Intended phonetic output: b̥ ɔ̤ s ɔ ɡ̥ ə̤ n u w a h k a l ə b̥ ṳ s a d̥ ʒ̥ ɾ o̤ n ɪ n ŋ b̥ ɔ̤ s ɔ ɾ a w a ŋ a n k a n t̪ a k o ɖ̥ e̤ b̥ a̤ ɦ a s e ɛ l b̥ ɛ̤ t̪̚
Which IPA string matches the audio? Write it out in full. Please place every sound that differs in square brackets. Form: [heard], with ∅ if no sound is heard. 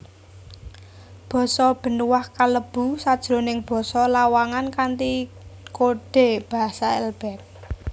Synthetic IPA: b̥ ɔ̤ s ɔ [b̥] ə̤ n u w a h k a l ə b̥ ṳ s a d̥ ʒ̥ ɾ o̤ n ɪ [∅] ŋ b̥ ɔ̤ s ɔ [l] a w a ŋ a n k a n t̪ [i] k o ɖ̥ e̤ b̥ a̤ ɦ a s [a] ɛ l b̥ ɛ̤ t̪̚